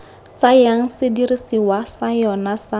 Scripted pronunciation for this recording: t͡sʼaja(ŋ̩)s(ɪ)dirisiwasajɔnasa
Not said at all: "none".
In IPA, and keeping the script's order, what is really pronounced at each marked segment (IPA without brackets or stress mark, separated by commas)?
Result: ŋ̩, ɪ